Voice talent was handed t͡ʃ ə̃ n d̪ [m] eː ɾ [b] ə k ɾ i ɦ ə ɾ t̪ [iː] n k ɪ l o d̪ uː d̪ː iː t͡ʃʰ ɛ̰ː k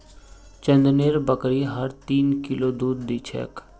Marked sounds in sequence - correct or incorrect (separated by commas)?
incorrect, correct, correct